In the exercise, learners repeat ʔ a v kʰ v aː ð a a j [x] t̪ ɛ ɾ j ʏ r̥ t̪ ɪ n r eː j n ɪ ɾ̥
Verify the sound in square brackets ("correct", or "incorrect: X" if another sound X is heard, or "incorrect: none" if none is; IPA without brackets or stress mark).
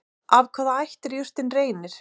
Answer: incorrect: h